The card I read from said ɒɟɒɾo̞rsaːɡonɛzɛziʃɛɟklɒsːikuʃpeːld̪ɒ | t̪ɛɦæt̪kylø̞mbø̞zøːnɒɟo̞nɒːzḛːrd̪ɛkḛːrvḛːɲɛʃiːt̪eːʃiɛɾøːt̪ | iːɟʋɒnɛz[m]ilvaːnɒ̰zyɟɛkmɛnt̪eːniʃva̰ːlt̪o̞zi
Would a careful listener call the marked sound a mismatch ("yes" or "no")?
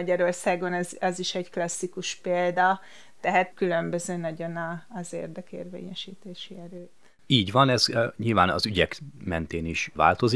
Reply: yes